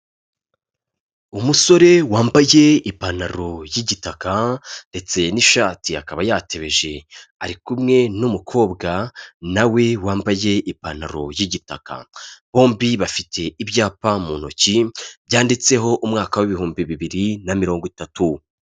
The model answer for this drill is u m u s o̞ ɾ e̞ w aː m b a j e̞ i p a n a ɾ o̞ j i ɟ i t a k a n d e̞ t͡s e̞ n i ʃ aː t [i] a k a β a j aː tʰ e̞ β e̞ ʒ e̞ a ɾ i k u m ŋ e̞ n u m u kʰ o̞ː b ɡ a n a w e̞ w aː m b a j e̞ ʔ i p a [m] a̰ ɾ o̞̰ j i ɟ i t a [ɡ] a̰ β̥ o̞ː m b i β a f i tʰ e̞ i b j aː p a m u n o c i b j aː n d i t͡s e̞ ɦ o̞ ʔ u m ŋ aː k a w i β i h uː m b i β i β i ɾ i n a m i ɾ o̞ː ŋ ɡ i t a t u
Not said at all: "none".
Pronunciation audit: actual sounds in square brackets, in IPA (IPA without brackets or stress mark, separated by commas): i, n, k